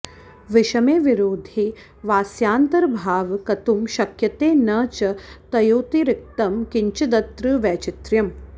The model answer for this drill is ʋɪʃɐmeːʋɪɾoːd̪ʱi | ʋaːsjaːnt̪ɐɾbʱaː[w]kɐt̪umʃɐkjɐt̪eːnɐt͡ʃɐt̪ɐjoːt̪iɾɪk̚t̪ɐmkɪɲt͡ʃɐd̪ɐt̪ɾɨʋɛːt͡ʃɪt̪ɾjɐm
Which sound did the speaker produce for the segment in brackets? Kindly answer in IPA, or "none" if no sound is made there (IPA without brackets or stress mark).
ʋ